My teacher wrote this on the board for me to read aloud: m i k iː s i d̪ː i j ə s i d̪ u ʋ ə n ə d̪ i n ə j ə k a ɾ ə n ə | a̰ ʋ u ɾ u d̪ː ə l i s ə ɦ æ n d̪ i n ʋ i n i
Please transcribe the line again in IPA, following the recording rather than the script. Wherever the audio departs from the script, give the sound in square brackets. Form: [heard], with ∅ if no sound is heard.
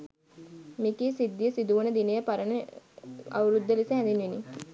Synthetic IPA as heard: m i k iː s i d̪ː i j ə s i d̪ u ʋ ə n ə d̪ i n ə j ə [p] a ɾ ə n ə | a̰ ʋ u ɾ u d̪ː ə l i s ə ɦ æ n d̪ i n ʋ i n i